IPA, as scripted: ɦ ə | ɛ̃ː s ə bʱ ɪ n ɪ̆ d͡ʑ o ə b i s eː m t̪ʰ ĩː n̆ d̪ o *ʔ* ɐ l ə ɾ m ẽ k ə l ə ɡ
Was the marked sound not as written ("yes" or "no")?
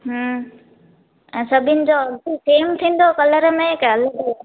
yes